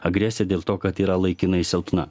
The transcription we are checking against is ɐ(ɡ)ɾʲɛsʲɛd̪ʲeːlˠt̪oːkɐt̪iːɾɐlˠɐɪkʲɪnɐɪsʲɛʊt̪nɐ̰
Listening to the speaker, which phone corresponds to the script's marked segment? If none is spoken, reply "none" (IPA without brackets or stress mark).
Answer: ɡ